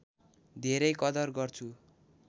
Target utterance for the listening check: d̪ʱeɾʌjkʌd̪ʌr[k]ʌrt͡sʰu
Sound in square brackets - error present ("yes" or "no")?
yes